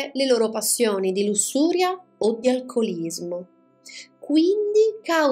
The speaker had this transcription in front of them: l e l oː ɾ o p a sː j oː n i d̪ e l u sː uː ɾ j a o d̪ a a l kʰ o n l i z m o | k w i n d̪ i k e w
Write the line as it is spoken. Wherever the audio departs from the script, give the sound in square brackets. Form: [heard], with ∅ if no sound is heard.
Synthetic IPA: l e l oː ɾ o p a sː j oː n i d̪ [i] l u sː uː ɾ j a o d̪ [i] a l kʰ o [∅] l i z m o | k w i n d̪ i k [a] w